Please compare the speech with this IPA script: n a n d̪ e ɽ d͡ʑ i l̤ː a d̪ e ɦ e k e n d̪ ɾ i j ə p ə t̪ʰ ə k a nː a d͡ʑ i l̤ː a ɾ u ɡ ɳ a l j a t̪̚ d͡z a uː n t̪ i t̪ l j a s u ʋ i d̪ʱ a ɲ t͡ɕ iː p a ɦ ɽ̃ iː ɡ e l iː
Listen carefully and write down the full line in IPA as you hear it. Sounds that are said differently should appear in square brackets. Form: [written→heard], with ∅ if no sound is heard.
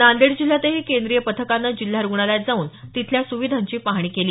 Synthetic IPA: n a n d̪ e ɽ d͡ʑ i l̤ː a [d̪→t̪] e ɦ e k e n d̪ ɾ i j ə p ə t̪ʰ ə k a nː a d͡ʑ i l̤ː a ɾ u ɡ ɳ a l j a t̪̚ d͡z a uː n t̪ i [t̪→t̪ʰ] l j a s u ʋ i d̪ʱ a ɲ t͡ɕ iː p a ɦ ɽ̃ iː [ɡ→k] e l iː